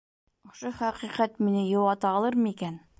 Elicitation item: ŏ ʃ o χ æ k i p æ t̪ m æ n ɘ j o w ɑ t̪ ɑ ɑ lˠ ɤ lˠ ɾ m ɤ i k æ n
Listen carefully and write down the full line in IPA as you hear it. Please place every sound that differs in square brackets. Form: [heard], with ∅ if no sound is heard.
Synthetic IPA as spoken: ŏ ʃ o χ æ [q] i [q] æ t̪ m [i] n ɘ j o w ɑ t̪ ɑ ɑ lˠ ɤ [∅] ɾ m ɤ i k æ n